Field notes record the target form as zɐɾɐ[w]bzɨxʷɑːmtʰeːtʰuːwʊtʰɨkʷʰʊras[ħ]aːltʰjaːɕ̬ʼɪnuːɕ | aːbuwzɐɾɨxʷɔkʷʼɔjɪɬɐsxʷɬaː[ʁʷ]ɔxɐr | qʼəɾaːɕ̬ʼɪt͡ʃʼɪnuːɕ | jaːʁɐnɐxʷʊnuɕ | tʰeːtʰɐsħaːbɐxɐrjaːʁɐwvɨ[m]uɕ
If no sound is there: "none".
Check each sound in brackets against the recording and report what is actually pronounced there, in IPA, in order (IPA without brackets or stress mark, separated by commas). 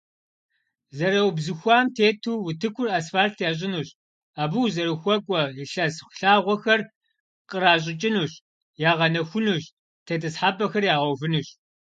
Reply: w, f, ʁʷ, n